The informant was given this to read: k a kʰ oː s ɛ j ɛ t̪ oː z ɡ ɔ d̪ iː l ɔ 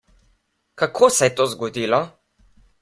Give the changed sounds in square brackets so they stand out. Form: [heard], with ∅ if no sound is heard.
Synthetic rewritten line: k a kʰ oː s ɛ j ɛ t̪ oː z ɡ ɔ d̪ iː l ɔ